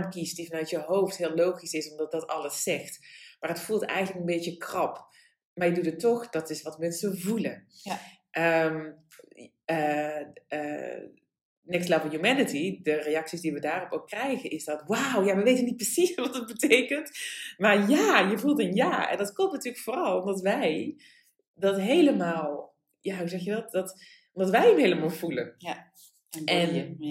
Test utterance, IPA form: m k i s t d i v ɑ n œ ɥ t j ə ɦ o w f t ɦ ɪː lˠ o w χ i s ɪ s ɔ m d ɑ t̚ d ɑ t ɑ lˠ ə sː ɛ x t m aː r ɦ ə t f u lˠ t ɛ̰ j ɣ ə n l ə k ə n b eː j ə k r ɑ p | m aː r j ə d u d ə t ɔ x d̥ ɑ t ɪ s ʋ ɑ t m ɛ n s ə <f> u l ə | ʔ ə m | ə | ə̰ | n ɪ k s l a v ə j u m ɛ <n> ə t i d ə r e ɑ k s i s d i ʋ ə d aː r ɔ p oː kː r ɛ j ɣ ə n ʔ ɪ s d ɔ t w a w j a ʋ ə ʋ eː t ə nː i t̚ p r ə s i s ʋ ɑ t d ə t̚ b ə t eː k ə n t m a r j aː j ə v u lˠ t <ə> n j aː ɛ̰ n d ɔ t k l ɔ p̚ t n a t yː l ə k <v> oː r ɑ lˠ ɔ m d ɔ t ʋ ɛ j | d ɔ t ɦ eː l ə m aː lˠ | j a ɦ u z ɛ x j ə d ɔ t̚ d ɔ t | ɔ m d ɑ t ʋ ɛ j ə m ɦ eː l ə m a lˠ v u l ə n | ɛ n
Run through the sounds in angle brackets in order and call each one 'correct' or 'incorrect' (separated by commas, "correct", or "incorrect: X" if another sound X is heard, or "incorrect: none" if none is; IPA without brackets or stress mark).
incorrect: v, correct, correct, incorrect: f